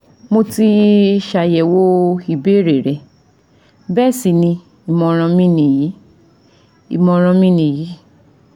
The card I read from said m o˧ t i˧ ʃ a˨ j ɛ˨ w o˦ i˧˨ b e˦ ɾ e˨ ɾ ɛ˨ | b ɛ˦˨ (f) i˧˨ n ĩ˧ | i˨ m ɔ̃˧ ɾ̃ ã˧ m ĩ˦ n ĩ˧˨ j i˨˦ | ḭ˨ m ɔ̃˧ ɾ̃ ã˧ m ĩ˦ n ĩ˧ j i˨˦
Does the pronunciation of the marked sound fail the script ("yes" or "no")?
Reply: yes